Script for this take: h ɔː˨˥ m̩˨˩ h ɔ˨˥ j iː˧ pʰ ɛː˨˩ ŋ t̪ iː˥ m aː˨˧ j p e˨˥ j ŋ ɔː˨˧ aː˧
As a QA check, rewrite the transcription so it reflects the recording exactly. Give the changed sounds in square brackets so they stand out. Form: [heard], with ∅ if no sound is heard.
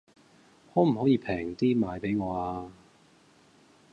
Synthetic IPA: h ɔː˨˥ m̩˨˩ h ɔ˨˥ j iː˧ pʰ ɛː˨˩ ŋ t̪ iː˥ m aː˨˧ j p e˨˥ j ŋ ɔː˨˧ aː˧

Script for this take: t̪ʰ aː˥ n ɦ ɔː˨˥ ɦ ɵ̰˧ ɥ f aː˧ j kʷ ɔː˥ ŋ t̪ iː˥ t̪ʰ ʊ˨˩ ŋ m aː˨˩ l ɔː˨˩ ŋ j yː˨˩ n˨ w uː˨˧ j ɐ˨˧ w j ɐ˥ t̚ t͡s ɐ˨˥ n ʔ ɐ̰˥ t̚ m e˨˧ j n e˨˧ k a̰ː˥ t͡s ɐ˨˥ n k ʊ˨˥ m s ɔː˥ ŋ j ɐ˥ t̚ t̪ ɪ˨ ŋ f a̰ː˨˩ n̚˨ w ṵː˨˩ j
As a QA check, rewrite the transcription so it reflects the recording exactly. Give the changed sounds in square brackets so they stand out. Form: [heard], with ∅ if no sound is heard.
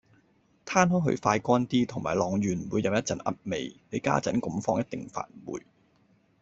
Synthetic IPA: t̪ʰ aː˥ n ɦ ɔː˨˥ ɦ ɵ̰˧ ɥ f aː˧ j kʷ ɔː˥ [n] t̪ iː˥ t̪ʰ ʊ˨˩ ŋ m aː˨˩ l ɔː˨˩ ŋ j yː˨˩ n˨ w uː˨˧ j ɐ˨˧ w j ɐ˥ t̚ t͡s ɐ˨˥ n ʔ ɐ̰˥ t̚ m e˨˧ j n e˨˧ k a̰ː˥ t͡s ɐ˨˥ n k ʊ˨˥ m [f] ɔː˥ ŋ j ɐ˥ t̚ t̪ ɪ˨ ŋ f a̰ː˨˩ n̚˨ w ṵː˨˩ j

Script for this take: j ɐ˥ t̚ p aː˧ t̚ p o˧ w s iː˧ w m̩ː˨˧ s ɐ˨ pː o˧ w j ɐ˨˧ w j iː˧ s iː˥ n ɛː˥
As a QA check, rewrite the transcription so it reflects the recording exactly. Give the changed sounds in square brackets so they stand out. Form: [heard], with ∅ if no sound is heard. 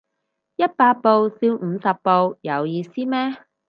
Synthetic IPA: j ɐ˥ t̚ p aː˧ t̚ p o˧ w s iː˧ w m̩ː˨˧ s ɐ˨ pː o˧ w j ɐ˨˧ w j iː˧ s iː˥ [m] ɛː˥

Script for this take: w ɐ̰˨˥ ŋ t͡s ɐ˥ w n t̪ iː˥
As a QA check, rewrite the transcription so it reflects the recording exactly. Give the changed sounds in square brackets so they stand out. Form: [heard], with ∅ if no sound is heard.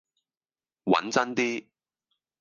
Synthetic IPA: w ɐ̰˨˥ [n] t͡s ɐ˥ [∅] n t̪ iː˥

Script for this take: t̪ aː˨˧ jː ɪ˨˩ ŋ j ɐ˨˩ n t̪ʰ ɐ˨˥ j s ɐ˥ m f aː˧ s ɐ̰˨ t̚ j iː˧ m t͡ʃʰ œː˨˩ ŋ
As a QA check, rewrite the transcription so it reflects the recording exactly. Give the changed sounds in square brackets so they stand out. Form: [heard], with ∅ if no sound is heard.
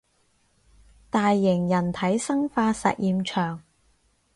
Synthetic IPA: t̪ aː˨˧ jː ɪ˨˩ ŋ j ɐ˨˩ n t̪ʰ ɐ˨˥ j s ɐ˥ [ŋ] f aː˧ s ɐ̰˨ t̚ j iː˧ m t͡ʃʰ œː˨˩ ŋ

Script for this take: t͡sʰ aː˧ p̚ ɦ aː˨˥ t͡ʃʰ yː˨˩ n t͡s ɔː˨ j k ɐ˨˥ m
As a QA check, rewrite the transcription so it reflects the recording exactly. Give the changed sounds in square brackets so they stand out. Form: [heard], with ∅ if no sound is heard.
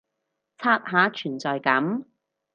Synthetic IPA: t͡sʰ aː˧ [t̚] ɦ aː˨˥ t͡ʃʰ yː˨˩ n t͡s ɔː˨ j k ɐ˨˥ m

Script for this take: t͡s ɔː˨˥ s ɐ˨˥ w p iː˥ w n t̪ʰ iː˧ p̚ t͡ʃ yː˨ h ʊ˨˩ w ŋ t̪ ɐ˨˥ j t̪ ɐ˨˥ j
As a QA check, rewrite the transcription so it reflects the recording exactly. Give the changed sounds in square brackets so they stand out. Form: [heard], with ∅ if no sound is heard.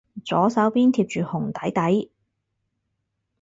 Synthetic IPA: t͡s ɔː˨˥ s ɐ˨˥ w p iː˥ [∅] n t̪ʰ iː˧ p̚ t͡ʃ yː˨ h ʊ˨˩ [∅] ŋ t̪ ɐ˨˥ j t̪ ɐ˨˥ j

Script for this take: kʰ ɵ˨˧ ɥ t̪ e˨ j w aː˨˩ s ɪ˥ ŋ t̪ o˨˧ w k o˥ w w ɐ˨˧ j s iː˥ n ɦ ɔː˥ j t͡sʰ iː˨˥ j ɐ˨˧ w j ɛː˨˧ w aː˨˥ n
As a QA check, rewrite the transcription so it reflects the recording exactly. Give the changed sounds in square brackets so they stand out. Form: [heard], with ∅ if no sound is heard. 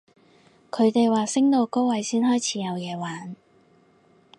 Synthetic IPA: kʰ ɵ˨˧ ɥ t̪ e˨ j w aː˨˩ s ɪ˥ ŋ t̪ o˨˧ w k o˥ w w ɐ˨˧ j s iː˥ n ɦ ɔː˥ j t͡sʰ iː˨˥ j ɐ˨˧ w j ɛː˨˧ w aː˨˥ n

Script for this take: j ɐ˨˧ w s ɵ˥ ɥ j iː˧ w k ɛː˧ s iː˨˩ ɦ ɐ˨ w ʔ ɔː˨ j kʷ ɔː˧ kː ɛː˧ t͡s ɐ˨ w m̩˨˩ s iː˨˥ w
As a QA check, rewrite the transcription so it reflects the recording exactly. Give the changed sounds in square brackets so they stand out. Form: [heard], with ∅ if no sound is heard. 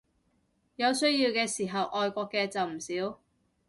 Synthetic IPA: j ɐ˨˧ w s ɵ˥ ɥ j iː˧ w k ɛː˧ s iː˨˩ ɦ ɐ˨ w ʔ ɔː˨ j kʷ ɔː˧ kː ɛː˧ t͡s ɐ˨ w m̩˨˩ s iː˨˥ w

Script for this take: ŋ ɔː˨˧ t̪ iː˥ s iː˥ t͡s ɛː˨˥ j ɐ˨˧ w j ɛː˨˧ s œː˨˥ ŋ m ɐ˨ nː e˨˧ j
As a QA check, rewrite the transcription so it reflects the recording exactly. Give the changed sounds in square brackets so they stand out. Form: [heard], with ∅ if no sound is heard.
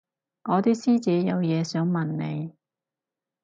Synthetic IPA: ŋ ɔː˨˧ t̪ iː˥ s iː˥ t͡s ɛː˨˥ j ɐ˨˧ w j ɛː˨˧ s œː˨˥ ŋ m ɐ˨ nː e˨˧ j

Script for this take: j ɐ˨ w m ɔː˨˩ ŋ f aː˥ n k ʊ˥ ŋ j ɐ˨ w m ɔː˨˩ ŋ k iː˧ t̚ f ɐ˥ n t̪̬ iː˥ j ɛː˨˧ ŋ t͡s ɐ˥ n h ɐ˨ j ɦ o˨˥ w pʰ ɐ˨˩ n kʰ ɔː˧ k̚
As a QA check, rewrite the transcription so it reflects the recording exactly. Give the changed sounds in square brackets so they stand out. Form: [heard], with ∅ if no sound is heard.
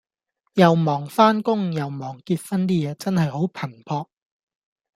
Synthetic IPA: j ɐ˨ w m ɔː˨˩ ŋ f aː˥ n k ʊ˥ ŋ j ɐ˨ w m ɔː˨˩ ŋ k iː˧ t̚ f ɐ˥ n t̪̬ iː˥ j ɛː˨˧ [∅] t͡s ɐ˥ n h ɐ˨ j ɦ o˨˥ w pʰ ɐ˨˩ n [pʰ] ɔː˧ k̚

